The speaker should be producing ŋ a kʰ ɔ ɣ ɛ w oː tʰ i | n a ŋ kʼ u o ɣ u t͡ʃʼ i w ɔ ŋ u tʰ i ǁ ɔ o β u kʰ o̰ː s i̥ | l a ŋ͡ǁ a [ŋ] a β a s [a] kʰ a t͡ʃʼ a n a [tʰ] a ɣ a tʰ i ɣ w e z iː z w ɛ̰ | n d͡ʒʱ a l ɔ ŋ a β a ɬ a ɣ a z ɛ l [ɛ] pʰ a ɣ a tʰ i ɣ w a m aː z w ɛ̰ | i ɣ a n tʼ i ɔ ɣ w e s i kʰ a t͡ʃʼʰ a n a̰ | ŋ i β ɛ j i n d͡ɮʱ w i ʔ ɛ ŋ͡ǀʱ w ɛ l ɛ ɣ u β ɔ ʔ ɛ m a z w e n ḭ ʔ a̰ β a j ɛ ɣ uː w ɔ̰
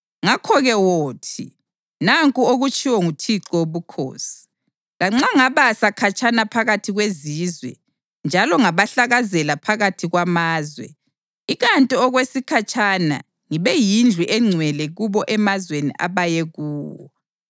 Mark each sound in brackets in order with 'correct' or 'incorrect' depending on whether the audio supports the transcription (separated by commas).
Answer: correct, correct, incorrect, incorrect